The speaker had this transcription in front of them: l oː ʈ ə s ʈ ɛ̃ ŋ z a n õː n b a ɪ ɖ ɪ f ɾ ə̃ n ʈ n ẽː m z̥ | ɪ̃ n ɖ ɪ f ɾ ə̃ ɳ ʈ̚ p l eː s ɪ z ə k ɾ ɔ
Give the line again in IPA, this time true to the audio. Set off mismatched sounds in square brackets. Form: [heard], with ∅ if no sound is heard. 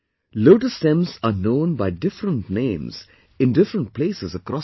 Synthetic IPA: l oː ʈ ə s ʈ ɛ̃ [m] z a n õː n b a ɪ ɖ ɪ f ɾ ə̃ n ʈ n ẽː m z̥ | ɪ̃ n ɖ ɪ f ɾ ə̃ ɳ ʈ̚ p l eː s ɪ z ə k ɾ ɔ